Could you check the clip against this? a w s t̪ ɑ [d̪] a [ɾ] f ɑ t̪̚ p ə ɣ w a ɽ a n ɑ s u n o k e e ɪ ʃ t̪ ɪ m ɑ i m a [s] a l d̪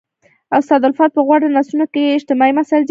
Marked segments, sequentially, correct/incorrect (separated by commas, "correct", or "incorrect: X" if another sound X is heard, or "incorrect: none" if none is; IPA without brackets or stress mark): correct, incorrect: l, correct